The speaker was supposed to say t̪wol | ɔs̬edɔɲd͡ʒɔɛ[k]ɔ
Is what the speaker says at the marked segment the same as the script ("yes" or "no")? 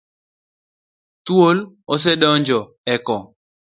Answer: yes